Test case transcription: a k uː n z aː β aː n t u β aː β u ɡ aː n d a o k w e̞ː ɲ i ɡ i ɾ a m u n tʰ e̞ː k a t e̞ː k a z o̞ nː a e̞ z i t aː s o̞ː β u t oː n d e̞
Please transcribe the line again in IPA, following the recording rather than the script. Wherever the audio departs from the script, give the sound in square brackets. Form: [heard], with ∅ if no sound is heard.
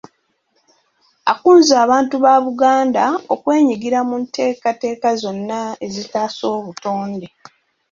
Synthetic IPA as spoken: a k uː n z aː β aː n t u β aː β u ɡ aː n d a o k w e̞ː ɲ i ɡ i ɾ a m u n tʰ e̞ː k a t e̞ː k a z o̞ nː a e̞ z i t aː s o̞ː β u t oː n d e̞